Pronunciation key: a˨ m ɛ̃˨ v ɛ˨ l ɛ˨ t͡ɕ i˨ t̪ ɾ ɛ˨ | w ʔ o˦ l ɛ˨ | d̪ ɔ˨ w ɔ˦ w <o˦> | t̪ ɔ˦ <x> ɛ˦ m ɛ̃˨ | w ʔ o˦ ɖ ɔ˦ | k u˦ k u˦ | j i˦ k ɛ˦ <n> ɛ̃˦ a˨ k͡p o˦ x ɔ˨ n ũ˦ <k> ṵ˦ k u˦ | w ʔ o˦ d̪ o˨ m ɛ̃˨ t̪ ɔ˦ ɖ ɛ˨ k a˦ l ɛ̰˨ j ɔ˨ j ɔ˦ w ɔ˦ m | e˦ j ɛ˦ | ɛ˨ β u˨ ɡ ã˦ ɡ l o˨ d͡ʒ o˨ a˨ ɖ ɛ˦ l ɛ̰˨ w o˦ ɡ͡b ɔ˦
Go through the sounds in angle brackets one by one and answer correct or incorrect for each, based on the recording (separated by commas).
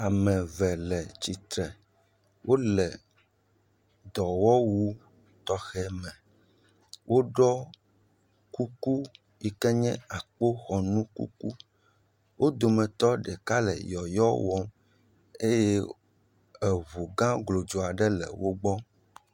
incorrect, correct, incorrect, correct